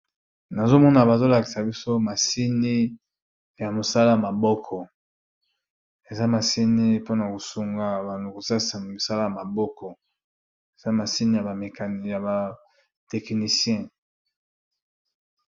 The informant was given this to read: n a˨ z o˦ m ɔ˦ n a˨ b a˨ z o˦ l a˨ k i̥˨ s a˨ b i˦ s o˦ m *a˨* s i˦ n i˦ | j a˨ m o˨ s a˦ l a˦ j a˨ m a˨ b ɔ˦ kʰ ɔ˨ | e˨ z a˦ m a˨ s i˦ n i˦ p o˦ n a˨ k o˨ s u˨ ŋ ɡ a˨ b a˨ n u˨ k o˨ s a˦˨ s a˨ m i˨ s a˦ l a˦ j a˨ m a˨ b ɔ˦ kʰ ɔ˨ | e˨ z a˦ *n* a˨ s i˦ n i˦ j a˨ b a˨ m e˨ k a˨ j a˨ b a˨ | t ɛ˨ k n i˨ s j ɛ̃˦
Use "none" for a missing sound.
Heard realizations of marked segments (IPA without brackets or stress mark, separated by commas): a˨, m